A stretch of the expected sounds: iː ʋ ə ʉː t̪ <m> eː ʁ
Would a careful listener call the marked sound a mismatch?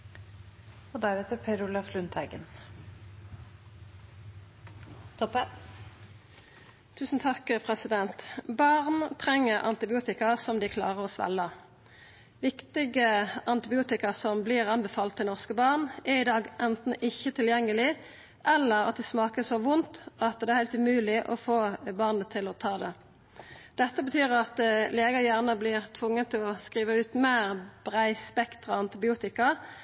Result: no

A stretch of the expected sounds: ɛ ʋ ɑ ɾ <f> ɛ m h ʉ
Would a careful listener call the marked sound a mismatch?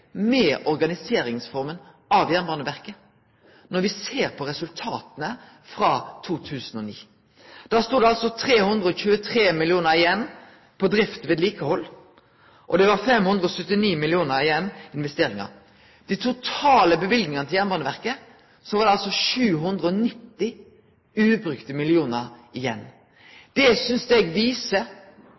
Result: no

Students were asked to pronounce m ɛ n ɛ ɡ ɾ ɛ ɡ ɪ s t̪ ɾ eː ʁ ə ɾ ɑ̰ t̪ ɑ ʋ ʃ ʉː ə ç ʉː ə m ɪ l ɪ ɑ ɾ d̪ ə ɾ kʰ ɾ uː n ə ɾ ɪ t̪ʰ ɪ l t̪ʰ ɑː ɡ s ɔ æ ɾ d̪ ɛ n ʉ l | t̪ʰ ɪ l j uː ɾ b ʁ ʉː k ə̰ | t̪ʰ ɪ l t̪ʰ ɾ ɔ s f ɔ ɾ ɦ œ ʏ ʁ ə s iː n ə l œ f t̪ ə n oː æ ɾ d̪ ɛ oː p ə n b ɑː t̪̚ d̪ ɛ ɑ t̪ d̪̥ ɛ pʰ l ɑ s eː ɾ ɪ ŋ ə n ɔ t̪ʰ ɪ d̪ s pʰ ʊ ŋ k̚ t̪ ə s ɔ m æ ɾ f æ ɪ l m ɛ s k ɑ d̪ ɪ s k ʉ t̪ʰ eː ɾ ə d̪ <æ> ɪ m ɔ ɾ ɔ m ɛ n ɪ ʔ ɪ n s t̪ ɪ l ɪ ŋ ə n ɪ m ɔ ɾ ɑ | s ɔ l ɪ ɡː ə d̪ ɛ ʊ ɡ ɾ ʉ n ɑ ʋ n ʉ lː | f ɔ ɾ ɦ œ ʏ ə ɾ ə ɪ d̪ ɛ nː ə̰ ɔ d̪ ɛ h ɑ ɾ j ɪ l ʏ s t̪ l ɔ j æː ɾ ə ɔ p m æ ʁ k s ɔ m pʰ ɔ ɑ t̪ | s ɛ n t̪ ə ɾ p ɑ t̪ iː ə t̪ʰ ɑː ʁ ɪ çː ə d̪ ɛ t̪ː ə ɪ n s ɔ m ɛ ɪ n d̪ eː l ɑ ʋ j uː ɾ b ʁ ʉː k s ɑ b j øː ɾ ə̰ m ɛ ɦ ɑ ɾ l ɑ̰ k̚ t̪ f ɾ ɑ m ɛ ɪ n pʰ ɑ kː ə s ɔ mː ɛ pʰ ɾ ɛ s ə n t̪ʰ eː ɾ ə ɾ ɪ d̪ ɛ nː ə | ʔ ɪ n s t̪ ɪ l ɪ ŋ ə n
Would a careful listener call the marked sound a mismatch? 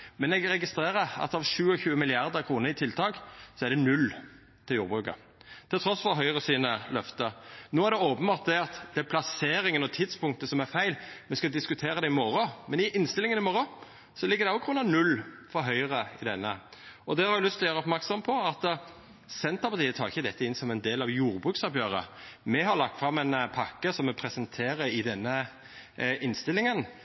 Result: yes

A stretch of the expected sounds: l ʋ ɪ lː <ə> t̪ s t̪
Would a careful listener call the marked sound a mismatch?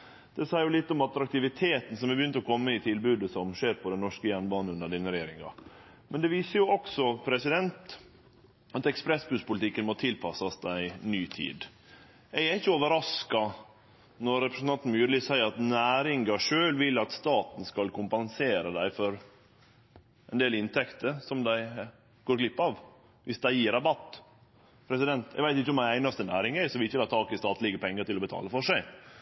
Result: yes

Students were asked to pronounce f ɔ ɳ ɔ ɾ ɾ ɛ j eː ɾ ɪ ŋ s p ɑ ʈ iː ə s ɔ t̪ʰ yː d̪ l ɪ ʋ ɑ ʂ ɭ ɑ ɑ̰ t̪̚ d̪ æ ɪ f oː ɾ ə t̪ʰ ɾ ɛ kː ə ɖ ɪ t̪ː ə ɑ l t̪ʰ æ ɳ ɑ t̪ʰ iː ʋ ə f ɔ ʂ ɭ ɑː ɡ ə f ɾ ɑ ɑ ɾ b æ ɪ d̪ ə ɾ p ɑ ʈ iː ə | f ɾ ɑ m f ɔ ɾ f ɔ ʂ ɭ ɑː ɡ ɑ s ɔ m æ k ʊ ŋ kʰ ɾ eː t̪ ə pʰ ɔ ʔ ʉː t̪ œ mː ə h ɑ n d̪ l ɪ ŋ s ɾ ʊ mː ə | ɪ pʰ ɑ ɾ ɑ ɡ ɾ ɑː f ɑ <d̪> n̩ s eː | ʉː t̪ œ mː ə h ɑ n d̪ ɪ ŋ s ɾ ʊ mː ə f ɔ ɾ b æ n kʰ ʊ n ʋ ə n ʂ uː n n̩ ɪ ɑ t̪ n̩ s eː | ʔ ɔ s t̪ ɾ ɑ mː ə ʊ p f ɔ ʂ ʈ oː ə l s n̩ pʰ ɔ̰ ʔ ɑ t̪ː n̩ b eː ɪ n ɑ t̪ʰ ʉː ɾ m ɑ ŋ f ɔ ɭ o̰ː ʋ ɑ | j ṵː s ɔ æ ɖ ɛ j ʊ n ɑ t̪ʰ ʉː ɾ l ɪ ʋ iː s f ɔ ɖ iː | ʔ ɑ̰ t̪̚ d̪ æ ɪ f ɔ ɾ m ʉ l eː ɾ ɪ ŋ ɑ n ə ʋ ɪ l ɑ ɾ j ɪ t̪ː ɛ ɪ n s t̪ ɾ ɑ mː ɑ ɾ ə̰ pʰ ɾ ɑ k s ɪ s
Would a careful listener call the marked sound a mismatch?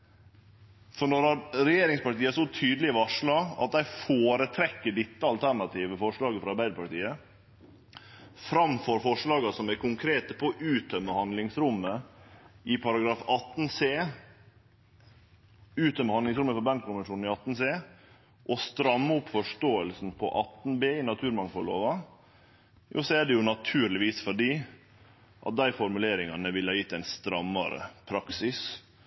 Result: yes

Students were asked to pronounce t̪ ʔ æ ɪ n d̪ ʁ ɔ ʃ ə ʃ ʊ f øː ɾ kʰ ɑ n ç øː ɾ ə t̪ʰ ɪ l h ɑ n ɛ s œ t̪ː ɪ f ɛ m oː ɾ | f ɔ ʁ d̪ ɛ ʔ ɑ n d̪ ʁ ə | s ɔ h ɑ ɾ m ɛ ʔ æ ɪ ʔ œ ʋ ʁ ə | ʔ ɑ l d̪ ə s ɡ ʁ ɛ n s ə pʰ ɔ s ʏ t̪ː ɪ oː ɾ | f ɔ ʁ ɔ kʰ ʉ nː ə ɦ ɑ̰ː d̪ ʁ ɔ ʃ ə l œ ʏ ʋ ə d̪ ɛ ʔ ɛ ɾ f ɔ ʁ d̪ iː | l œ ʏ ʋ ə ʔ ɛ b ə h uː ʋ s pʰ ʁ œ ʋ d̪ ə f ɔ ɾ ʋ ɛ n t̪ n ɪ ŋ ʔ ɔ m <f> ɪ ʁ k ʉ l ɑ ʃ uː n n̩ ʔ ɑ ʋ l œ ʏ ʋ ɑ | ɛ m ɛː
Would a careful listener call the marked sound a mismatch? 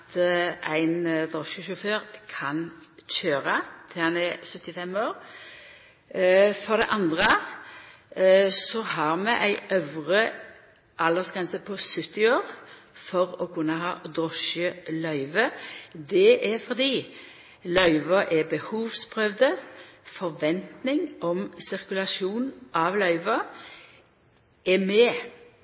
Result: yes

